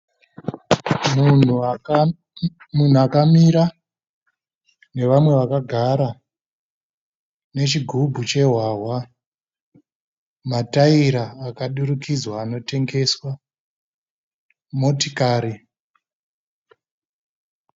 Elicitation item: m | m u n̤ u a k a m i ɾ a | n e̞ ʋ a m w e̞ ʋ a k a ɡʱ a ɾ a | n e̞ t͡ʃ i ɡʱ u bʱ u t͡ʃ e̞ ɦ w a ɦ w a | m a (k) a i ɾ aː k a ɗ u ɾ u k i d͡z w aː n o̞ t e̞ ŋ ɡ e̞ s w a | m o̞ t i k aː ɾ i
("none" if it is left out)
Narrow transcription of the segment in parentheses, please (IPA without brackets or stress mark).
t